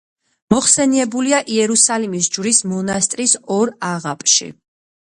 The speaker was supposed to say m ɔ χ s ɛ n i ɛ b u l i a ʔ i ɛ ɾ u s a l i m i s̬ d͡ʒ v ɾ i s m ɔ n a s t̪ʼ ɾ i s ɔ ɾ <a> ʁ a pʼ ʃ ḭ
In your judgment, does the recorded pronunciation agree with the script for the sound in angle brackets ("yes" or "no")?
yes